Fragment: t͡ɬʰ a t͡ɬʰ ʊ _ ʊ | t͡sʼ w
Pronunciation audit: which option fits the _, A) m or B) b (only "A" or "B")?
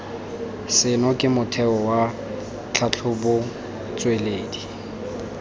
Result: B